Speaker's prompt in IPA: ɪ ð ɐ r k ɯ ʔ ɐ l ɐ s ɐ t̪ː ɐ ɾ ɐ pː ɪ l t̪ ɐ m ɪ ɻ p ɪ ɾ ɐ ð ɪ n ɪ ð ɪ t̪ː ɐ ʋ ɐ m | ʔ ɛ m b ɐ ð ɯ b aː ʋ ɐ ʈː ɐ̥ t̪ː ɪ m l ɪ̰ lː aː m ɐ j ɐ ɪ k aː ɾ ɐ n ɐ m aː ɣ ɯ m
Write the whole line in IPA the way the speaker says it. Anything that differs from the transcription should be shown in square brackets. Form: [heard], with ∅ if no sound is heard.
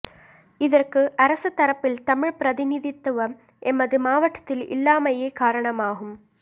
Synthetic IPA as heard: ɪ ð ɐ r k ɯ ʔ ɐ [ɾ] ɐ s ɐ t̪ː ɐ ɾ ɐ pː ɪ l t̪ ɐ m ɪ ɻ p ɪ ɾ ɐ ð ɪ n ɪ ð ɪ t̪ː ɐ ʋ ɐ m | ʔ ɛ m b ɐ ð ɯ [m] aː ʋ ɐ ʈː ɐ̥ t̪ː ɪ [∅] l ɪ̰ lː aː m ɐ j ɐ ɪ k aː ɾ ɐ [ɳ] ɐ m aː ɣ ɯ m